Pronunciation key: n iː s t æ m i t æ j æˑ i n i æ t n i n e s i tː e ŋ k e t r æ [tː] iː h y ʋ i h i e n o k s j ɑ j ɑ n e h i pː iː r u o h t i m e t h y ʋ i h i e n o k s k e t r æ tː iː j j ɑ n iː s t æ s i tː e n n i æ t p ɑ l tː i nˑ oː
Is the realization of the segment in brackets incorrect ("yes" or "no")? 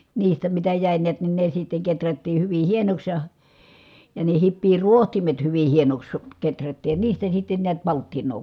no